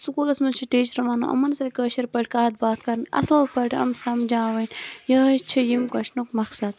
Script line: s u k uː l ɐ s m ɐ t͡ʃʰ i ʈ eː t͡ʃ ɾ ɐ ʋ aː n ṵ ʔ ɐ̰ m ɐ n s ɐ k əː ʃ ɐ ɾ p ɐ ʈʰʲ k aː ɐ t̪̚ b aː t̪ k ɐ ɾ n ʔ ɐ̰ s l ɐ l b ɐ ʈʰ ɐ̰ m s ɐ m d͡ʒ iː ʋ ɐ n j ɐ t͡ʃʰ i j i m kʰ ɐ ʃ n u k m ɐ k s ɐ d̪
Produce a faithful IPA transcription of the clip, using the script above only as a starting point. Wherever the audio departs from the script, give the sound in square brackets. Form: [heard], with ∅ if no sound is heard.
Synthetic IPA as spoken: s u k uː l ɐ s m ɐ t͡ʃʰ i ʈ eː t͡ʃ ɾ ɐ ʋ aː n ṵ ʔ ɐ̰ m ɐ n s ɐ k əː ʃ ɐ ɾ p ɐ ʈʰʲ k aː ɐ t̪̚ b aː t̪ k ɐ ɾ n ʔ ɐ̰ s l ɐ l [p] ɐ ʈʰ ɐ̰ m s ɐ m d͡ʒ [aː] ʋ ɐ n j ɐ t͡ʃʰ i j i m [k] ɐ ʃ n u k m ɐ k s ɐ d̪